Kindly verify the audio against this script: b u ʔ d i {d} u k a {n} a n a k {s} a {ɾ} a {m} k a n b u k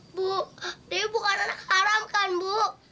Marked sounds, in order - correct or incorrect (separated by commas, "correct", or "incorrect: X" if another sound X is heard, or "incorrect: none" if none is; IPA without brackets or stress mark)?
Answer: incorrect: b, correct, incorrect: h, correct, correct